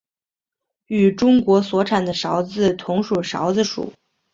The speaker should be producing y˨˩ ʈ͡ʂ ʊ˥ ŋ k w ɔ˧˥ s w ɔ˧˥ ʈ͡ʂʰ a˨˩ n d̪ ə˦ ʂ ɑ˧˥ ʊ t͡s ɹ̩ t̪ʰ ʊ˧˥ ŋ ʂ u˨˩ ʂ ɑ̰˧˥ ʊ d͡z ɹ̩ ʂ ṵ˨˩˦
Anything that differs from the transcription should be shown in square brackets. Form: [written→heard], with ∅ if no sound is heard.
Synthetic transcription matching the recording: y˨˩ ʈ͡ʂ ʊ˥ ŋ k w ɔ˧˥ s w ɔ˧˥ ʈ͡ʂʰ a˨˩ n d̪ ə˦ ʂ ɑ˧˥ ʊ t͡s ɹ̩ t̪ʰ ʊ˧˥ ŋ ʂ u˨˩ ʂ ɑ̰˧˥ ʊ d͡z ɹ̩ ʂ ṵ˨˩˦

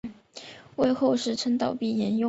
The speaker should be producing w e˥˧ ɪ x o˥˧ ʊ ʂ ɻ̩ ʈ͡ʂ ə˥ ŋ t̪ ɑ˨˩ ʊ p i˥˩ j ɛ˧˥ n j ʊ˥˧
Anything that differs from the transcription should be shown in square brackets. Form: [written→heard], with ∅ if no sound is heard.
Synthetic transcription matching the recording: w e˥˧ ɪ x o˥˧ ʊ ʂ ɻ̩ [ʈ͡ʂ→ʈ͡ʂʰ] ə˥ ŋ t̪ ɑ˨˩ ʊ p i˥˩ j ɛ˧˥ n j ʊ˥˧

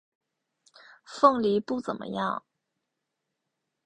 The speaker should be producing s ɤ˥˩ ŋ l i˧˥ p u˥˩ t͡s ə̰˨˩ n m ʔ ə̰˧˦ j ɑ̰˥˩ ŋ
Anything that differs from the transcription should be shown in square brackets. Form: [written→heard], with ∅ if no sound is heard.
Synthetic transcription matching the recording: [s→f] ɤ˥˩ ŋ l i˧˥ p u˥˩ t͡s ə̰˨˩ n m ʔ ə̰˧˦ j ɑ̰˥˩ ŋ

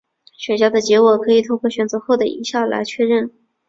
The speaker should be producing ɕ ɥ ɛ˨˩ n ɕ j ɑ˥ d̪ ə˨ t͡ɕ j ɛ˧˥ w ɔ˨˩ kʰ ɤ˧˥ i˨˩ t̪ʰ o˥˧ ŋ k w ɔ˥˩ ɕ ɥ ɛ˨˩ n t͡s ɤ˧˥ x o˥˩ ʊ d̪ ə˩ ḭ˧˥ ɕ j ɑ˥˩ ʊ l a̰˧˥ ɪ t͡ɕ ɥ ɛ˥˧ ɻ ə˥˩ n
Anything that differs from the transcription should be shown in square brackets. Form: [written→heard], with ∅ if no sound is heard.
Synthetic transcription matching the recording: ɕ ɥ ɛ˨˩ n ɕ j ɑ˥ d̪ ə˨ t͡ɕ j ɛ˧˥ w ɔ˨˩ kʰ ɤ˧˥ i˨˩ t̪ʰ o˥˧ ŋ k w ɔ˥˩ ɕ ɥ ɛ˨˩ n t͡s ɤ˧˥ x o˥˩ ʊ d̪ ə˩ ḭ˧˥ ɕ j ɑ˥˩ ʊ l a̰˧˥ ɪ [t͡ɕ→t͡ɕʰ] ɥ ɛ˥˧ ɻ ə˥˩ n

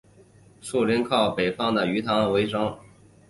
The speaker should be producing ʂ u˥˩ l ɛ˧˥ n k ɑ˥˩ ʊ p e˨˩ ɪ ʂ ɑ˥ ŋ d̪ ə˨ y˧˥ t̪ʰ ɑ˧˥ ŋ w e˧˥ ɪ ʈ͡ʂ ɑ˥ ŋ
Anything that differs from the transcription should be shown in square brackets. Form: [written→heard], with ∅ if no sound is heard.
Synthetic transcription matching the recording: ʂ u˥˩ l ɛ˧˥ n [k→kʰ] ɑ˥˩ ʊ p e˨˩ ɪ [ʂ→f] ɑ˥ ŋ d̪ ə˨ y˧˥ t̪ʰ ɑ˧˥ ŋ w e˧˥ ɪ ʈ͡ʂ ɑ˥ ŋ

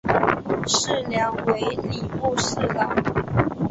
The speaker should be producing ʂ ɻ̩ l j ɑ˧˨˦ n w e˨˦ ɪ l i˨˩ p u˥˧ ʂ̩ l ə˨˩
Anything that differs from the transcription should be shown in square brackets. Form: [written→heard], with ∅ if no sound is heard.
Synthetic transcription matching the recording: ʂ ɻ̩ l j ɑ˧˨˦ [n→ŋ] w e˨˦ ɪ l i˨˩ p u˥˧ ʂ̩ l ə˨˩

